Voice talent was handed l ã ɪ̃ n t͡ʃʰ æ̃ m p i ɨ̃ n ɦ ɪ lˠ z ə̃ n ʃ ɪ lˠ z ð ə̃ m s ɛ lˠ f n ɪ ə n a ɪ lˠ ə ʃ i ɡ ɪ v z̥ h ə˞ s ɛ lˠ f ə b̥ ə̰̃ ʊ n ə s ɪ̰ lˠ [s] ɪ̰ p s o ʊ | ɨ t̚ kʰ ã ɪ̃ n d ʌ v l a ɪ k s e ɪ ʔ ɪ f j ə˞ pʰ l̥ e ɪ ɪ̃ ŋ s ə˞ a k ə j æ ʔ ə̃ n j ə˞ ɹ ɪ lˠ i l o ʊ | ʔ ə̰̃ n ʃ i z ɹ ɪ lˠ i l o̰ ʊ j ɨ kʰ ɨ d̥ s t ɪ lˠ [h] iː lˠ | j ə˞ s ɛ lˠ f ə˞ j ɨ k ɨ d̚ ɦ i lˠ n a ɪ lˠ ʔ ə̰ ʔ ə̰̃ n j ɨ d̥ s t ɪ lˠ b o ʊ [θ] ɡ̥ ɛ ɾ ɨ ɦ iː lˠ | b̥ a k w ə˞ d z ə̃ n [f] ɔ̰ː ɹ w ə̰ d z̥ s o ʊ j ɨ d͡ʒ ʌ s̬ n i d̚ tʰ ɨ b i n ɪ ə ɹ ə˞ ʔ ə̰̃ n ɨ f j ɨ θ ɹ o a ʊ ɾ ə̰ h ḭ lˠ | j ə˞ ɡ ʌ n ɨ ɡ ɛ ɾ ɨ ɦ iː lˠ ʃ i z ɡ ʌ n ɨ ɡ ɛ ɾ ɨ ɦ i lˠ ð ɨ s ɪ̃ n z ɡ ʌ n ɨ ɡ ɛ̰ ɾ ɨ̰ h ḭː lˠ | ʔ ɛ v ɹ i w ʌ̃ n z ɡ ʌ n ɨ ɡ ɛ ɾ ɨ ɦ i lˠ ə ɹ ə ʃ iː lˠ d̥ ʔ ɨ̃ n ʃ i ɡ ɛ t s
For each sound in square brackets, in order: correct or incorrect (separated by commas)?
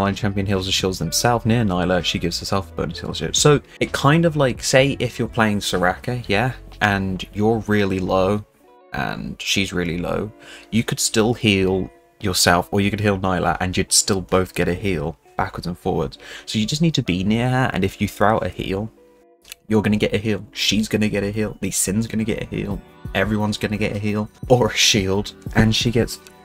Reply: incorrect, correct, correct, correct